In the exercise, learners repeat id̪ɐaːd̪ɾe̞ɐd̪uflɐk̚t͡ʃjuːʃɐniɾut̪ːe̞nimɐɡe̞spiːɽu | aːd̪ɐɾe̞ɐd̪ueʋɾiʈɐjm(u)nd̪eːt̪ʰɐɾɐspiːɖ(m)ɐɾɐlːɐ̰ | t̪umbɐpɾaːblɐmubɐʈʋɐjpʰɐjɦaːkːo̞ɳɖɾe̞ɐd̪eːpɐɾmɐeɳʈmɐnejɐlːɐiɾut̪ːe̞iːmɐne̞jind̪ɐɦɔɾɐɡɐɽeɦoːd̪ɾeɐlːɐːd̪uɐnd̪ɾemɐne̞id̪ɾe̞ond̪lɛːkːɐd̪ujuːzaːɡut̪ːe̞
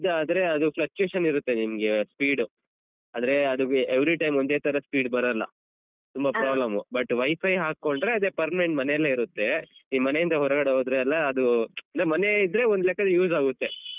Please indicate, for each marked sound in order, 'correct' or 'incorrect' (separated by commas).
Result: incorrect, incorrect